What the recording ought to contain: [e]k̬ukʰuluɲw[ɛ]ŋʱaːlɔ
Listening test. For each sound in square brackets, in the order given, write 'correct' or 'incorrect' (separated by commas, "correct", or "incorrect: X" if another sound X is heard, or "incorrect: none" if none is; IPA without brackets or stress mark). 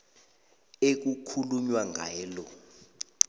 correct, incorrect: a